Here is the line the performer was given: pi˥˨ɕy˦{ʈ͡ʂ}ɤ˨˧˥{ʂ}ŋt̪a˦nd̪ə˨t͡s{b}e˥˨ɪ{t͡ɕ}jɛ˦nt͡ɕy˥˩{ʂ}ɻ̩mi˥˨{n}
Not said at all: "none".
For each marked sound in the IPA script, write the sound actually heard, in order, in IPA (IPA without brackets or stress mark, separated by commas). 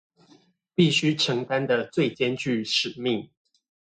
ʈ͡ʂʰ, none, w, t͡ɕ, ʂ, ŋ